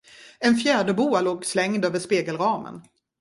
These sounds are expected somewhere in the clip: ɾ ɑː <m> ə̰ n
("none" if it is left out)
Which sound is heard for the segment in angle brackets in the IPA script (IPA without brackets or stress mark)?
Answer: m